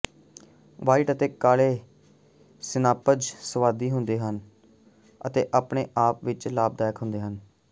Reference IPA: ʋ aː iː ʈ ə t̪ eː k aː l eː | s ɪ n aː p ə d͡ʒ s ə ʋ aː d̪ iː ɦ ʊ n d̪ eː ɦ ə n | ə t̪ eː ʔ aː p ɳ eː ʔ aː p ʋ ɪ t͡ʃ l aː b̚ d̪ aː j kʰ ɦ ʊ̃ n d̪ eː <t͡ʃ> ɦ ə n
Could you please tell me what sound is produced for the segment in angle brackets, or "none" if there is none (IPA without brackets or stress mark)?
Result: none